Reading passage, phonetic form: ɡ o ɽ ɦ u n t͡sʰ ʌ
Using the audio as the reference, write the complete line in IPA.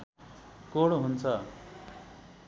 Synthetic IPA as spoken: k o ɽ ɦ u n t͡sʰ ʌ